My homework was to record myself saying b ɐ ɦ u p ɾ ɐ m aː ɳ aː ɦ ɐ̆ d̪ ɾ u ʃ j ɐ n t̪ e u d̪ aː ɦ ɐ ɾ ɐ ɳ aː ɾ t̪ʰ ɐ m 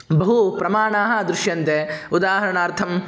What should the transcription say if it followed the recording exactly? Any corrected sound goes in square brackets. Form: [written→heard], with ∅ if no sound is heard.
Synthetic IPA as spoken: b ɐ ɦ u p ɾ ɐ m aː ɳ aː ɦ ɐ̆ d̪ ɾ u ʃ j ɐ n t̪ e u d̪ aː ɦ ɐ ɾ ɐ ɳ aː ɾ t̪ʰ ɐ m